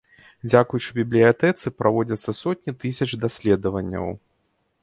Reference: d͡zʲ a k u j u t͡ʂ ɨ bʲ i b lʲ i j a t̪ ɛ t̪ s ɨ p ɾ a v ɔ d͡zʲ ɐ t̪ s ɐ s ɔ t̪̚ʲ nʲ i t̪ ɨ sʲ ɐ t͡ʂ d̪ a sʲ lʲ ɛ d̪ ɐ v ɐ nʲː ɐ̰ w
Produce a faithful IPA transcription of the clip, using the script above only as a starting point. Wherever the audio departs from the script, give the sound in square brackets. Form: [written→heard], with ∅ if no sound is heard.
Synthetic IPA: d͡zʲ a k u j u t͡ʂ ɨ bʲ i b lʲ i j a t̪ ɛ t̪ s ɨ p ɾ a v ɔ d͡zʲ ɐ t̪ [s→sː] ɐ s ɔ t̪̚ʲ nʲ i t̪ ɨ sʲ ɐ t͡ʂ d̪ a sʲ lʲ ɛ d̪ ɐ v ɐ nʲː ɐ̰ w